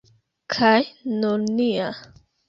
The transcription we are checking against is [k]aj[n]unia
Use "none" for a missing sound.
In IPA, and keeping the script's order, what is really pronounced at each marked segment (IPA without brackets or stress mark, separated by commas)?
kʰ, n